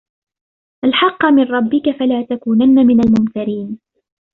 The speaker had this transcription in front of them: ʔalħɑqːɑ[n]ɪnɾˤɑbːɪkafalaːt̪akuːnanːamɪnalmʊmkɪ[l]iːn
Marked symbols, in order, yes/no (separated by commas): no, no